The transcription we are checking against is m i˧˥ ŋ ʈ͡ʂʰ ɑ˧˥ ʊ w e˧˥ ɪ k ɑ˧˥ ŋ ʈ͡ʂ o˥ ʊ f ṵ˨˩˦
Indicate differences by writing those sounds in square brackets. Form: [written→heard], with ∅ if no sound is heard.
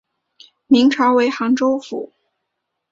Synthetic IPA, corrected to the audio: m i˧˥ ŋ ʈ͡ʂʰ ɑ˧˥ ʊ w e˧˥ ɪ [k→x] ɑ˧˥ ŋ ʈ͡ʂ o˥ ʊ f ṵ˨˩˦